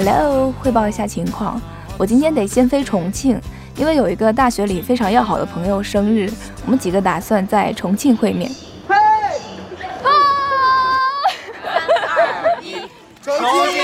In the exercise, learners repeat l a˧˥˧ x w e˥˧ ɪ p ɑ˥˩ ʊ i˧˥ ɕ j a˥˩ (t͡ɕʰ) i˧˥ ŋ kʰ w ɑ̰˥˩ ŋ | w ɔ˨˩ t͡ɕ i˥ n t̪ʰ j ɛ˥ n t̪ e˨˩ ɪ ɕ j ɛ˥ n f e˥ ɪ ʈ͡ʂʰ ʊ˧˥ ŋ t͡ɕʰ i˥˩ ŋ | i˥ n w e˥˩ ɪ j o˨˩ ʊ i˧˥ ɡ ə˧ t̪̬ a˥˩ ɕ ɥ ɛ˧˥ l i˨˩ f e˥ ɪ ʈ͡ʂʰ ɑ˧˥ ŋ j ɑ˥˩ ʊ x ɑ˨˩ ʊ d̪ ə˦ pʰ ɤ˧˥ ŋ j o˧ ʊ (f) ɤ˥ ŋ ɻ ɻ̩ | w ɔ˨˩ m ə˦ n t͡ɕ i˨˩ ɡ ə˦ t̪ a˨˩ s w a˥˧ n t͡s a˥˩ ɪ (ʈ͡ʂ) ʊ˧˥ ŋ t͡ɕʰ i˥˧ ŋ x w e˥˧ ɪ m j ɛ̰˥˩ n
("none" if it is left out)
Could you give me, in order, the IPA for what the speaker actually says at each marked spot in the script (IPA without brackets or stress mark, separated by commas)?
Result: t͡ɕʰ, ʂ, ʈ͡ʂʰ